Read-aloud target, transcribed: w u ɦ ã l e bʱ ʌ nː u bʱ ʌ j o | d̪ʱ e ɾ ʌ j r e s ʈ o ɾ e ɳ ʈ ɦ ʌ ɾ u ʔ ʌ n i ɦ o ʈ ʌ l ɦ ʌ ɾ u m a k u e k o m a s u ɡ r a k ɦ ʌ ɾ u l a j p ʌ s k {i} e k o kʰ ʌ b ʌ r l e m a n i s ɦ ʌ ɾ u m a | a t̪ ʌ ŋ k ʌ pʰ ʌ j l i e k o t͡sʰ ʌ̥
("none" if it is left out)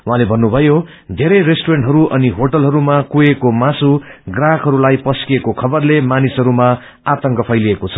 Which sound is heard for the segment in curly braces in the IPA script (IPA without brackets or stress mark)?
i